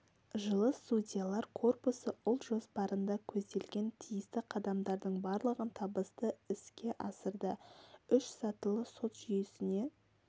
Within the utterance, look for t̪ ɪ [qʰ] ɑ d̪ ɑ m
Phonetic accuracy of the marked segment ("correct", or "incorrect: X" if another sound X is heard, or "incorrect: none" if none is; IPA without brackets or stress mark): correct